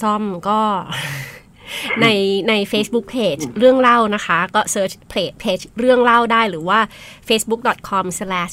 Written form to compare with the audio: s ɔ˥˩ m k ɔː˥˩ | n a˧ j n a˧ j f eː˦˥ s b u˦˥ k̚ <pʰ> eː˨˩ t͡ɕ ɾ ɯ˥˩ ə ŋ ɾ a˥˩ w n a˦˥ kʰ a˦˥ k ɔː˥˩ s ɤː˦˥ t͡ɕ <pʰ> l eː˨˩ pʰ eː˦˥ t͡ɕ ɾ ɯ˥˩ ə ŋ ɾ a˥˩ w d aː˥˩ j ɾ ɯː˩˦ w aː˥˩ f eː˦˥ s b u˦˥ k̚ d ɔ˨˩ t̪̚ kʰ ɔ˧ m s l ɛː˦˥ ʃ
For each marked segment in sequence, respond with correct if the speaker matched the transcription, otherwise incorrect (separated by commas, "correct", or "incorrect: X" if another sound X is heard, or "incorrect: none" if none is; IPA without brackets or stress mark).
correct, correct